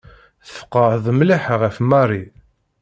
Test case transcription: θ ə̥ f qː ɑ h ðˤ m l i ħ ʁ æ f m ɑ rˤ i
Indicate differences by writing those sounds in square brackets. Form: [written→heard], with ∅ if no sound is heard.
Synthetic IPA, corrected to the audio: θ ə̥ f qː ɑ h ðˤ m l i ħ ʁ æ f m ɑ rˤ i